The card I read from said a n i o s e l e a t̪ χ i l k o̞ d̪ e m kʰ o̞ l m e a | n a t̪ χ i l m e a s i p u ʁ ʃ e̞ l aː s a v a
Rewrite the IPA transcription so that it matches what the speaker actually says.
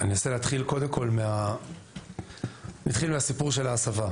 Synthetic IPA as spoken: a n i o s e l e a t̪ χ i l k o̞ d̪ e m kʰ o̞ l m e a | n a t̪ χ i l m e a s i p u ʁ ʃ e̞ l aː s a v a